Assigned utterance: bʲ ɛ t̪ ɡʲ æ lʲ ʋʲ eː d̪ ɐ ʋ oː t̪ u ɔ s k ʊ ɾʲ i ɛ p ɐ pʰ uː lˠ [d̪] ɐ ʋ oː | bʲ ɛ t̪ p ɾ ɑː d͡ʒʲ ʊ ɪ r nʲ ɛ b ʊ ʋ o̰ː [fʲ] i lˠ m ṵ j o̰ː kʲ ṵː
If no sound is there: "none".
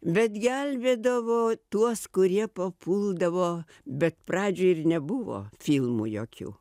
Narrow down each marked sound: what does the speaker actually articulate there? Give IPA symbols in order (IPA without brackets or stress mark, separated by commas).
d̪, fʲ